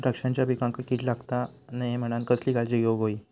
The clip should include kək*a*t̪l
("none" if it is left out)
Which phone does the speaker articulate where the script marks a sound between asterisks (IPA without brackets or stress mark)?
i